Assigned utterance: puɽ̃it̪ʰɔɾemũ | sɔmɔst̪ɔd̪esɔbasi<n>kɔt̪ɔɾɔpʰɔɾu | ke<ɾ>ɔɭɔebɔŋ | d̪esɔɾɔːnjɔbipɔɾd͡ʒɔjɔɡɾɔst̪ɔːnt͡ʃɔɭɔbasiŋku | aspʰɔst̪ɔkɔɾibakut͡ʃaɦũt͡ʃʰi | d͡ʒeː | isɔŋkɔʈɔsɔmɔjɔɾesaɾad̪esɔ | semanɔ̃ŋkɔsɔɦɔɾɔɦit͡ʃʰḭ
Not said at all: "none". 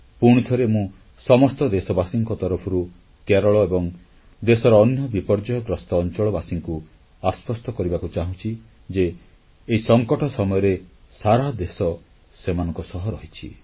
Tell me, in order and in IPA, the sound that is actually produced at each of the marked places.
ŋ, ɾ

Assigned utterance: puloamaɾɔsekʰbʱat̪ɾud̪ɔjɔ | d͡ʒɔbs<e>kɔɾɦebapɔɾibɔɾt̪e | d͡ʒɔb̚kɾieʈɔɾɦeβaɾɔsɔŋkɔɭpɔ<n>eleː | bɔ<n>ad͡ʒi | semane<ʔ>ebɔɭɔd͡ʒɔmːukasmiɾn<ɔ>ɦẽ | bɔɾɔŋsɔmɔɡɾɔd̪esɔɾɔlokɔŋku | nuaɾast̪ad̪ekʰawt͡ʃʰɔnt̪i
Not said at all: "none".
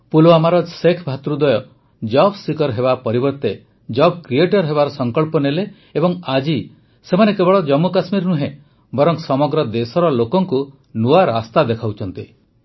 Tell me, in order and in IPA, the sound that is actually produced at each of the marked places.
i, n, ŋ, k, u

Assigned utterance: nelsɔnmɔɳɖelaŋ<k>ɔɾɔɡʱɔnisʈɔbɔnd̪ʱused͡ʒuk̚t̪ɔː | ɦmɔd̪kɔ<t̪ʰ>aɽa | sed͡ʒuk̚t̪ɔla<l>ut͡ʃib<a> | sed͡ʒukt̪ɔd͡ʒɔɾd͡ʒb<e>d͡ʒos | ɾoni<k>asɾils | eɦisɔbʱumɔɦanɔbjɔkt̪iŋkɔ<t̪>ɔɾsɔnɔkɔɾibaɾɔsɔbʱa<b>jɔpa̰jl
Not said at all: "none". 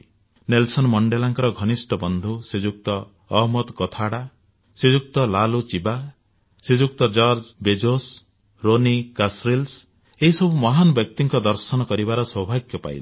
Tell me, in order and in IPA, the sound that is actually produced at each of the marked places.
k, t̪ʰ, l, a, e, k, d̪, ɡ

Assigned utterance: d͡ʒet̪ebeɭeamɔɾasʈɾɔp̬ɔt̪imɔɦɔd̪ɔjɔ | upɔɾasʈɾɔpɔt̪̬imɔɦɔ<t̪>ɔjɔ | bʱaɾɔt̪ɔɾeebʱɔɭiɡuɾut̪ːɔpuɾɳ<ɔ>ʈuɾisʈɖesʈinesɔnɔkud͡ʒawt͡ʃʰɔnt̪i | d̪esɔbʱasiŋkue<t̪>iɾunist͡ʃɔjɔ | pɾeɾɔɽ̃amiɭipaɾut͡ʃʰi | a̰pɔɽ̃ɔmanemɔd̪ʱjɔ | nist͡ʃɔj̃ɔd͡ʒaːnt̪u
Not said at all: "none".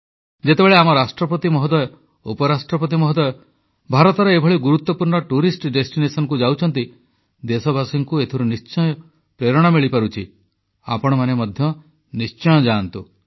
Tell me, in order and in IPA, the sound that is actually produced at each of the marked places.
d̪, ɔ, t̪ʰ

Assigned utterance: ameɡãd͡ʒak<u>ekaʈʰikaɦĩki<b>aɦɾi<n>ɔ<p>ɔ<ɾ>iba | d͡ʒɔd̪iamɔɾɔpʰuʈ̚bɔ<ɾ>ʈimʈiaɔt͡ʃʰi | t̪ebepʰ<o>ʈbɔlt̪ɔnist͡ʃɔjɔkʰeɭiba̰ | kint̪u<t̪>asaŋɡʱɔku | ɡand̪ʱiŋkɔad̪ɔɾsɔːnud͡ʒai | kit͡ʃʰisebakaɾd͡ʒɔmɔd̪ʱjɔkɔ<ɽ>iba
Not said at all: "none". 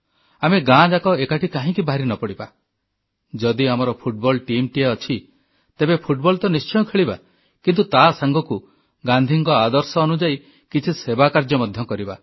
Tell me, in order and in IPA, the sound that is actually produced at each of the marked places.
ɔ, b, n, p, ɽ, l, u, t̪, ɾ

